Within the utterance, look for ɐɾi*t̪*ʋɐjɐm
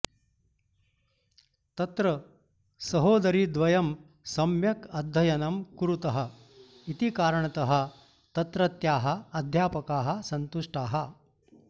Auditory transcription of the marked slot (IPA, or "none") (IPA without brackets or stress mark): d̪